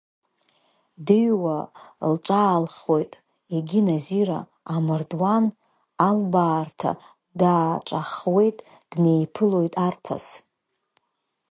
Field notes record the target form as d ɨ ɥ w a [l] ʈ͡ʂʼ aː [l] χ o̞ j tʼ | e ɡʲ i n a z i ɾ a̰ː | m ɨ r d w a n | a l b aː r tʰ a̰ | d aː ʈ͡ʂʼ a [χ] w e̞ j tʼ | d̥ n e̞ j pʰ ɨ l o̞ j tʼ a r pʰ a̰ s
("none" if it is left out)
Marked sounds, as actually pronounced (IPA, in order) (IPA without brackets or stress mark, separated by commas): l, l, χ